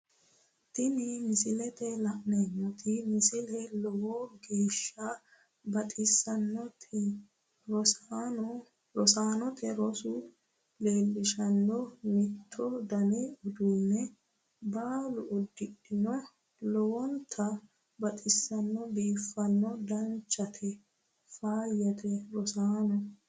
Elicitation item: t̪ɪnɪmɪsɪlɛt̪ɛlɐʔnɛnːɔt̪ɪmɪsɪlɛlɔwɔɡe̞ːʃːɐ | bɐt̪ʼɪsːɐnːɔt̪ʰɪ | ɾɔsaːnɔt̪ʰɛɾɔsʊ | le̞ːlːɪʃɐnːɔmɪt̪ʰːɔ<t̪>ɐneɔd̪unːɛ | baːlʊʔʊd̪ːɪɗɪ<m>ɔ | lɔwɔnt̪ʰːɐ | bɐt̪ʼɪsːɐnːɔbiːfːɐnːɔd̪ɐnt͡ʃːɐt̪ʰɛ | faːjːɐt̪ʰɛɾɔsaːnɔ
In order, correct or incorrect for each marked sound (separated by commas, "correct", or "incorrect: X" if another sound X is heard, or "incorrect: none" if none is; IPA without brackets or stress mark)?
incorrect: d̪, incorrect: n